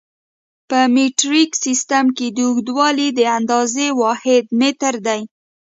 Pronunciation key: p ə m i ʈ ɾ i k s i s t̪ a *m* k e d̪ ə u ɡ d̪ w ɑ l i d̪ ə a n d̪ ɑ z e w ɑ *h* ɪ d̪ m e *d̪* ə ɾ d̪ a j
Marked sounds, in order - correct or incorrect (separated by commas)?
correct, correct, incorrect